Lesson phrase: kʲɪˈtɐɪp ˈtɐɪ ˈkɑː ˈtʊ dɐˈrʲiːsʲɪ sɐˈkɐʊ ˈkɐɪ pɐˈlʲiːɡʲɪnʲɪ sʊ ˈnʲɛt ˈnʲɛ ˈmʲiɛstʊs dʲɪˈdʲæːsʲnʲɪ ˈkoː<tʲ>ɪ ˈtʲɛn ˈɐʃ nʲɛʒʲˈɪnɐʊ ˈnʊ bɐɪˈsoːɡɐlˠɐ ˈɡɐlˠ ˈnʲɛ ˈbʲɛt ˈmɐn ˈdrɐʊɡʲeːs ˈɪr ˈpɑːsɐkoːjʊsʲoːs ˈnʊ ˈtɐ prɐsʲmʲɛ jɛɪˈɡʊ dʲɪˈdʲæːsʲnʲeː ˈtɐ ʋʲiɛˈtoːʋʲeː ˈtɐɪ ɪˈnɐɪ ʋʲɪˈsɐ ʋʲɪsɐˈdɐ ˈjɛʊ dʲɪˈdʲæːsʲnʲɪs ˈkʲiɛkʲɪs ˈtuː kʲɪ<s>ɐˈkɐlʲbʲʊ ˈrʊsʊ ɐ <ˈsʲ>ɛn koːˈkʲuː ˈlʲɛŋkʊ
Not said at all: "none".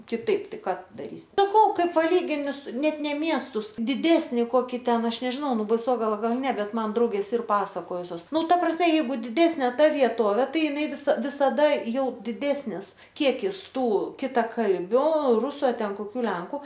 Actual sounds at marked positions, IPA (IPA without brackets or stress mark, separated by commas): kʲ, t, tʲ